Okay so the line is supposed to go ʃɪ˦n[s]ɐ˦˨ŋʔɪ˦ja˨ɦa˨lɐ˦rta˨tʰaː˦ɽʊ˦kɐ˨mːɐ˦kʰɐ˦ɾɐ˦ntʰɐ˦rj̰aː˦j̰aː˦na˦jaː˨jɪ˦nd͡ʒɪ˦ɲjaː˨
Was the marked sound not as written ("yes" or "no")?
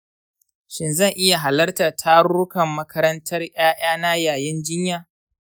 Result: yes